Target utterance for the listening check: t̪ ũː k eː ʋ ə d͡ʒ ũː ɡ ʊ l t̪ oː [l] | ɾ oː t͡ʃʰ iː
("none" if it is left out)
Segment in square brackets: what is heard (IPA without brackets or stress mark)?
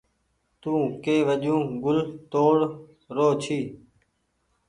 ɽ